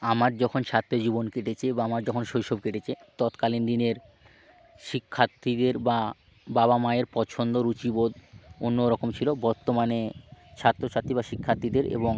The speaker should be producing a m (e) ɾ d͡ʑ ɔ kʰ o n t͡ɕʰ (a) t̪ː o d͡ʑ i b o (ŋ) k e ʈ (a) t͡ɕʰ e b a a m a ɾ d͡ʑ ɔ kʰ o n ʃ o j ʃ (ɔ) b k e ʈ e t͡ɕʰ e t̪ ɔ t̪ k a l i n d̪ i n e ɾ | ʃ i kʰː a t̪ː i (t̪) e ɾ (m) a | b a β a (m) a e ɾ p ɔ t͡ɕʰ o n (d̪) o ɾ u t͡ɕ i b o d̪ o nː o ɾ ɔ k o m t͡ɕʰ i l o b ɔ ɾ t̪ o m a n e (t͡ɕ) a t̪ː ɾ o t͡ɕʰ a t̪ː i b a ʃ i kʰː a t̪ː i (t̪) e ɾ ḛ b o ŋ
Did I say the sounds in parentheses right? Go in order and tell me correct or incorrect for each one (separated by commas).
incorrect, correct, incorrect, incorrect, incorrect, incorrect, incorrect, correct, correct, incorrect, incorrect